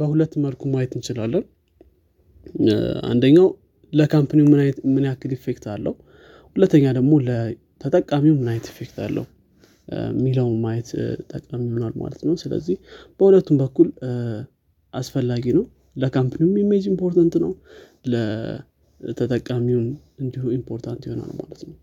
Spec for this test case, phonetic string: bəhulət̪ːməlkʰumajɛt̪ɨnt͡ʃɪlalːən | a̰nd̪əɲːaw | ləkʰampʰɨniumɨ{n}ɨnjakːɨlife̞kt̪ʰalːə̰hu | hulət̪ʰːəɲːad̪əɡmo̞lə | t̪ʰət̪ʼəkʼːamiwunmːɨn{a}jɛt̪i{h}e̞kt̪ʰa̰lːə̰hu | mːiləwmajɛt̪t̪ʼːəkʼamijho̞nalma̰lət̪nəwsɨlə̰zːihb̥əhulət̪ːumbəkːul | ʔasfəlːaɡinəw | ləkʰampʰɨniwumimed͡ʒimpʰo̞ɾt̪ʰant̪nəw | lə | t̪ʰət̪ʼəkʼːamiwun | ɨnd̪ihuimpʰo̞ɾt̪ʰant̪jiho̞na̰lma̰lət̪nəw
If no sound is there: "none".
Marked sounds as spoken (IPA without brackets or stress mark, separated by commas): m, a, f